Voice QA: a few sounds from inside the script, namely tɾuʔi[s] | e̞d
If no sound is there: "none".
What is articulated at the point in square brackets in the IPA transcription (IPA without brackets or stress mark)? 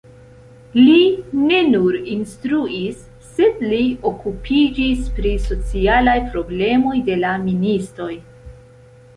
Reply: sː